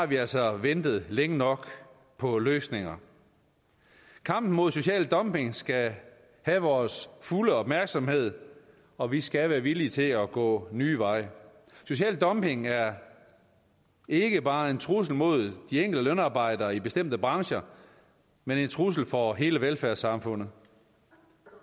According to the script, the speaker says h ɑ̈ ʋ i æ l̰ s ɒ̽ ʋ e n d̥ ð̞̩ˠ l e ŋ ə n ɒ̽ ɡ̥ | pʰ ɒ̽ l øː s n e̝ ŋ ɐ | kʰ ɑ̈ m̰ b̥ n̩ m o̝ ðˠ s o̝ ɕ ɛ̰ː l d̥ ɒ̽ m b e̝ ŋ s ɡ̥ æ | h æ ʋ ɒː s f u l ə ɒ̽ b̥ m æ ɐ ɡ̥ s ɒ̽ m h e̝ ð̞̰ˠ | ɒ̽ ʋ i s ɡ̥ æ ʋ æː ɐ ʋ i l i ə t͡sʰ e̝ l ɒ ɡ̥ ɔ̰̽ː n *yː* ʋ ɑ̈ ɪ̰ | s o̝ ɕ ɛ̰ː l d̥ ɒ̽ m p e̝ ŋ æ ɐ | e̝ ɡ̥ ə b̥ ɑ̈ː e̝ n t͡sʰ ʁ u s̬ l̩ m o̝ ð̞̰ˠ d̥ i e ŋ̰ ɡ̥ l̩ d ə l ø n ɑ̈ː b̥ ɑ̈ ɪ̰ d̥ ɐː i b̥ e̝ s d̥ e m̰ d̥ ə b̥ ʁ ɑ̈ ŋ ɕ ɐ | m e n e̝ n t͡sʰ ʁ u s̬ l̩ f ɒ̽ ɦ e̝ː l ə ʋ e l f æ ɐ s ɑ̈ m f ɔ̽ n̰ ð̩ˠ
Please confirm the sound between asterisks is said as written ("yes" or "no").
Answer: yes